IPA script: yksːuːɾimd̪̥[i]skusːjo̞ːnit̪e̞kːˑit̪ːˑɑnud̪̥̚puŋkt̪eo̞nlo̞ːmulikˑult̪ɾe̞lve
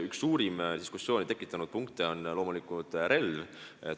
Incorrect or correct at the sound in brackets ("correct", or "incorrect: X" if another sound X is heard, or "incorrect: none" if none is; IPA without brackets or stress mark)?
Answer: correct